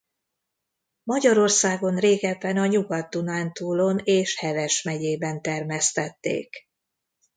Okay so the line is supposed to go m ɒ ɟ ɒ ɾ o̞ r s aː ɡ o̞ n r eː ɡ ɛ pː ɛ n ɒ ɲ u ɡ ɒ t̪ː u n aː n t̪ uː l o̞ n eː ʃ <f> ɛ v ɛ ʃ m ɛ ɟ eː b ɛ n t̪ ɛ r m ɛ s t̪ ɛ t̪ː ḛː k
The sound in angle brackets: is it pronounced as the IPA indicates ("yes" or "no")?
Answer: no